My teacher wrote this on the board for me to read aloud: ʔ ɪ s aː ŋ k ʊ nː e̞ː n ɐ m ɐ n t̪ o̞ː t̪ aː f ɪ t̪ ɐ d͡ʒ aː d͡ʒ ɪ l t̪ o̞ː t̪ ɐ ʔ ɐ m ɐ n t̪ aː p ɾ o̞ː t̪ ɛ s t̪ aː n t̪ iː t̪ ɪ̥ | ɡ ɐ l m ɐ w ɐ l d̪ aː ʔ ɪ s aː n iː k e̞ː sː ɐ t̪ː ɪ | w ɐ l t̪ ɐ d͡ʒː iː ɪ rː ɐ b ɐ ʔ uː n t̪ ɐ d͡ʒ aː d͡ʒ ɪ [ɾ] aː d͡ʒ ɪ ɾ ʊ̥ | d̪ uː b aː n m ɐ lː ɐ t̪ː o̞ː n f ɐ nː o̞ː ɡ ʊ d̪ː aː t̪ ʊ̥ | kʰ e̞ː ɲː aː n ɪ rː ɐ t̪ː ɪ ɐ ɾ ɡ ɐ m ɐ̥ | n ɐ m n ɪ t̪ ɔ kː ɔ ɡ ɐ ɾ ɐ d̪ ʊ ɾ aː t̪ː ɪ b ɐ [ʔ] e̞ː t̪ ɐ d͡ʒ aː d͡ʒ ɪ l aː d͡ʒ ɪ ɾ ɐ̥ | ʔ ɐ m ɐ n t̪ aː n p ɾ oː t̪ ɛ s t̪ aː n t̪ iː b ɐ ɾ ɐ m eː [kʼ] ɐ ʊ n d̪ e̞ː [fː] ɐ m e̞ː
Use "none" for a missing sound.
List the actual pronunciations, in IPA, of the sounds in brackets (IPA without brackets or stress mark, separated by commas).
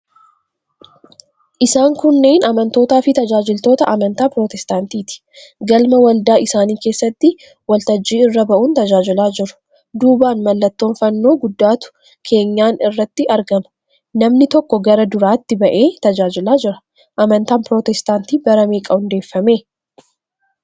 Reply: l, ʔ, kʼ, fː